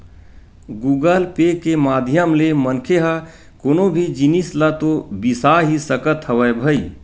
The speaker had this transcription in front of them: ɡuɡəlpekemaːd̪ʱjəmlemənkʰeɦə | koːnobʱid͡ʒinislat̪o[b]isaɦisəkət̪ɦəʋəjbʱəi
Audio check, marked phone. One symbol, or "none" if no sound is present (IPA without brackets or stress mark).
b